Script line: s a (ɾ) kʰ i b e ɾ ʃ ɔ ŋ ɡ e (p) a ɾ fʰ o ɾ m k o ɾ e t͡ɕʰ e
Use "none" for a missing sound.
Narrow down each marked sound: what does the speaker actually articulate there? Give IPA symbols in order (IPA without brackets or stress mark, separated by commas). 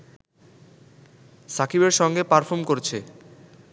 none, p